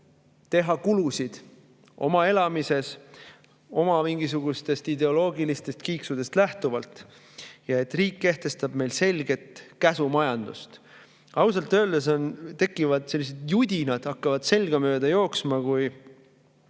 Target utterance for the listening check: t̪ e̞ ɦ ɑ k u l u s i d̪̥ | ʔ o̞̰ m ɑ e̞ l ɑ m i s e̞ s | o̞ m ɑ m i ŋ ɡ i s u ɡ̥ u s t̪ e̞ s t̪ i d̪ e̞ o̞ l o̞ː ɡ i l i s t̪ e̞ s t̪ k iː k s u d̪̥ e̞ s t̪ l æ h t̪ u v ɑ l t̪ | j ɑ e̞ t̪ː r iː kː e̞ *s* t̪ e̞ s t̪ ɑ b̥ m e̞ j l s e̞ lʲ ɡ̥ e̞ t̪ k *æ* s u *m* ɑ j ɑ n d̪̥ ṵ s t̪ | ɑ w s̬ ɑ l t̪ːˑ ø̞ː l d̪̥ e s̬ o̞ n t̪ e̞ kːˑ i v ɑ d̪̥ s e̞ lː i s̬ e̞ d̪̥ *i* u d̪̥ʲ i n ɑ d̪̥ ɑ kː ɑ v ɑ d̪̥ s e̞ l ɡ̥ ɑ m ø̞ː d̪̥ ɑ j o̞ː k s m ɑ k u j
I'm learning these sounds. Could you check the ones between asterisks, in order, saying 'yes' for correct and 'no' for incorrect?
no, yes, yes, no

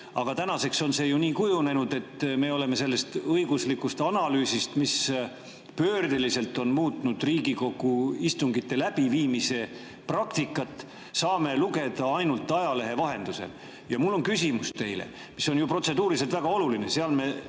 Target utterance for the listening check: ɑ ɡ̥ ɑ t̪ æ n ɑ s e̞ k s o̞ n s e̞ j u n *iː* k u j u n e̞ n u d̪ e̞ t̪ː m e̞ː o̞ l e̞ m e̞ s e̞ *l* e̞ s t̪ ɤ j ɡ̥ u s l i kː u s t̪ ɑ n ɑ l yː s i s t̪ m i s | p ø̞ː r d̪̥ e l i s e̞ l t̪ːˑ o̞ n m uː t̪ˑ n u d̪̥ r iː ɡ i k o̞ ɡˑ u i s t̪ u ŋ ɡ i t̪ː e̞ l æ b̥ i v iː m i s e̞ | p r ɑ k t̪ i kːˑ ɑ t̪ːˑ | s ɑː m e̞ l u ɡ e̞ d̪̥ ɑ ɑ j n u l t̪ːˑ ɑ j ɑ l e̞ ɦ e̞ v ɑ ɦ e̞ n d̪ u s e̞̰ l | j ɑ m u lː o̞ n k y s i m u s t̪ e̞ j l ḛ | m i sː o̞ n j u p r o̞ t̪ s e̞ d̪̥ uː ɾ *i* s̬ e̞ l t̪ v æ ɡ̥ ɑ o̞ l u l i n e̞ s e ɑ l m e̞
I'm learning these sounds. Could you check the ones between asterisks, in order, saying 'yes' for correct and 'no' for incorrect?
yes, no, yes

